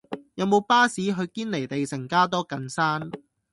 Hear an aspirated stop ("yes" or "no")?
no